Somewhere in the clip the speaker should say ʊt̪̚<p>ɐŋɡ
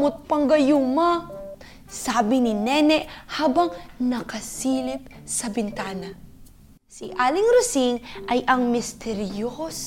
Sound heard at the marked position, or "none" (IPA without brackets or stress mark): p